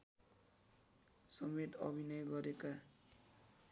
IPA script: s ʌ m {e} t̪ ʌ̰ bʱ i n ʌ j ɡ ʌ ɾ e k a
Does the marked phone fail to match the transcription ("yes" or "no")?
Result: no